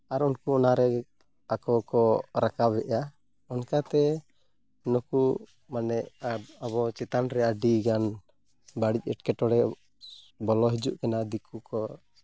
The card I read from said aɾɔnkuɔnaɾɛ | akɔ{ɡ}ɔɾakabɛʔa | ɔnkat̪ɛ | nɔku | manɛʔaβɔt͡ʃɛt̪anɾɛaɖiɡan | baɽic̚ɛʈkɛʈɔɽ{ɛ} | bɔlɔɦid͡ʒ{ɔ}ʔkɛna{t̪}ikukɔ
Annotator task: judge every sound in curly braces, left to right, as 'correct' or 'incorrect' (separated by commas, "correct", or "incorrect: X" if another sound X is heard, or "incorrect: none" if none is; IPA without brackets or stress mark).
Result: incorrect: k, correct, incorrect: u, incorrect: d̪